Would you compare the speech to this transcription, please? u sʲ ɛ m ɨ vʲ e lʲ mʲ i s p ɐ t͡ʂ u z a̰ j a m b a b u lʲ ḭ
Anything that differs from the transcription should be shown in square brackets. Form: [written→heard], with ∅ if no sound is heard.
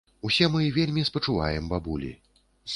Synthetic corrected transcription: u sʲ ɛ m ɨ vʲ e lʲ mʲ i s p ɐ t͡ʂ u [z→v] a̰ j [a→ɛ] m b a b u lʲ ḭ